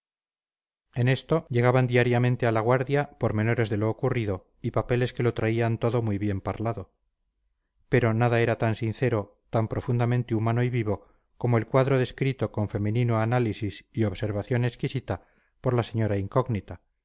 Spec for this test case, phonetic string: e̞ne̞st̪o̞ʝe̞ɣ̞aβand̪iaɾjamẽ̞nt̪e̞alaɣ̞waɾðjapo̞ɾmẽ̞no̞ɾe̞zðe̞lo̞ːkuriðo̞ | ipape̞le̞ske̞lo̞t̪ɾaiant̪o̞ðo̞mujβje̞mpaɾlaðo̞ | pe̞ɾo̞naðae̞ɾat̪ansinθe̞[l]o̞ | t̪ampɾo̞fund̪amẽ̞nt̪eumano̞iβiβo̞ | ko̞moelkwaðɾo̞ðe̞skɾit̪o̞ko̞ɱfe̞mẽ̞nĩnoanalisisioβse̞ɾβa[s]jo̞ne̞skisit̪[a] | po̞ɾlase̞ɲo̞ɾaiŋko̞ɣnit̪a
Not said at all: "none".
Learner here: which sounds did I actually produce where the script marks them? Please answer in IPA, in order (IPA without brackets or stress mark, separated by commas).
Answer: ɾ, θ, a